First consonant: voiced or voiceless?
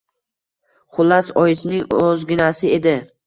voiceless